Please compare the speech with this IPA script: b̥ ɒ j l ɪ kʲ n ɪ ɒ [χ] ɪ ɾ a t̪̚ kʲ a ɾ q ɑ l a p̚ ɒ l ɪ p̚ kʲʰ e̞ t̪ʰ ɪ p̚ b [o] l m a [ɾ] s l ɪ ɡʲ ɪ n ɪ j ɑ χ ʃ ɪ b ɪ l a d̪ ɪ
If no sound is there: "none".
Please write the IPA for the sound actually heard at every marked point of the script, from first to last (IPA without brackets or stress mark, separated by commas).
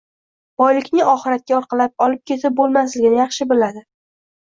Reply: χ, o, none